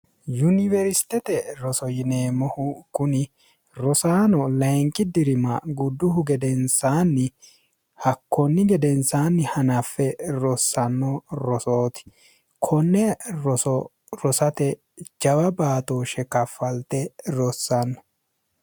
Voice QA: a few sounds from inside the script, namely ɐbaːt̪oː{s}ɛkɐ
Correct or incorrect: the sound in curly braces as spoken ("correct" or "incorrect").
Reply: incorrect